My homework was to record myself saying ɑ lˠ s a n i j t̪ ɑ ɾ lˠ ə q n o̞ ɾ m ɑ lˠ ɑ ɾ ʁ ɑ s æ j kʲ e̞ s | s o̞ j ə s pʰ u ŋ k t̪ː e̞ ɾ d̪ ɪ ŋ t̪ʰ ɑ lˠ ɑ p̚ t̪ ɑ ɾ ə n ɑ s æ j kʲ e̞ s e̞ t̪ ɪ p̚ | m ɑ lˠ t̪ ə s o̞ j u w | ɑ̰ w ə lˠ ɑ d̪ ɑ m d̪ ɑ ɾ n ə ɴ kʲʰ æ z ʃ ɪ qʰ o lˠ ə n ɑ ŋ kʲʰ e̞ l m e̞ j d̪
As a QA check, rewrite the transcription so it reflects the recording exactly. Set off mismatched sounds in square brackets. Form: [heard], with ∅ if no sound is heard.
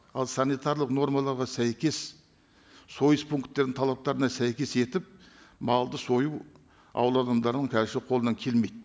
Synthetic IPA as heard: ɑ lˠ s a n i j t̪ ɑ ɾ lˠ ə q n o̞ ɾ m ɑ lˠ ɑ ɾ ʁ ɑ s æ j kʲ e̞ s | s o̞ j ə s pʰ u ŋ k t̪ː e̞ ɾ d̪ ɪ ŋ t̪ʰ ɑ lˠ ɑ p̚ t̪ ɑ ɾ ə n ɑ s æ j kʲ e̞ s e̞ t̪ ɪ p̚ | m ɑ lˠ [d̪] ə s o̞ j u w | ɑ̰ w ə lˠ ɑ d̪ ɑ m d̪ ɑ ɾ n ə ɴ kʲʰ æ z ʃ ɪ qʰ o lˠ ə n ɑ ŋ kʲʰ e̞ l m e̞ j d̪